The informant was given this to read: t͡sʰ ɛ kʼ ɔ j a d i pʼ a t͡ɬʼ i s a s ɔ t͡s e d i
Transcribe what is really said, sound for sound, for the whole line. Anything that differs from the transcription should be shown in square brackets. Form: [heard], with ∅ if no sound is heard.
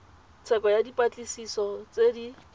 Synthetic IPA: t͡sʰ ɛ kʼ ɔ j a d i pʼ a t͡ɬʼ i s [i] s ɔ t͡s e d i